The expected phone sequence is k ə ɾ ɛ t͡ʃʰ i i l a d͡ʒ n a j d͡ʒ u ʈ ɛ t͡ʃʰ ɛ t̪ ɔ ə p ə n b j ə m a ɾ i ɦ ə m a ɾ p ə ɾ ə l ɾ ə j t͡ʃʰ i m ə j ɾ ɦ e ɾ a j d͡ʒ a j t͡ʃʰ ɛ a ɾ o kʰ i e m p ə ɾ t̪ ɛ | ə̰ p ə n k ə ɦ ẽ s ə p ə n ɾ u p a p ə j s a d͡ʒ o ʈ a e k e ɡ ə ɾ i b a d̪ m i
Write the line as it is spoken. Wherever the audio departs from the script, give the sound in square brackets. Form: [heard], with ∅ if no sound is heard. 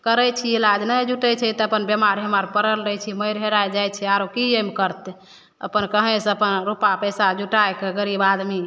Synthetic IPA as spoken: k ə ɾ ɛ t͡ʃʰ i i l a d͡ʒ n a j d͡ʒ u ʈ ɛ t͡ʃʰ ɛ t̪ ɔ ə p ə n b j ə m a ɾ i ɦ ə m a ɾ p ə ɾ ə l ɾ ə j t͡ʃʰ i m ə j ɾ ɦ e ɾ a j d͡ʒ a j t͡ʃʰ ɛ a ɾ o [k] i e m [k] ə ɾ t̪ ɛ | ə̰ p ə n k ə ɦ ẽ s ə p ə n ɾ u p a p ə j s a d͡ʒ [u] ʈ a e k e ɡ ə ɾ i b a d̪ m i